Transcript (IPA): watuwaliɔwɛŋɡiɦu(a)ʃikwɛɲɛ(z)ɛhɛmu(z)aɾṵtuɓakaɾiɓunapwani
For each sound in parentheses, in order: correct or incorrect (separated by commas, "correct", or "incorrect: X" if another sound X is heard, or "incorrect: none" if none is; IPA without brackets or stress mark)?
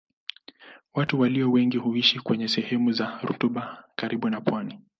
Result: incorrect: i, incorrect: s, correct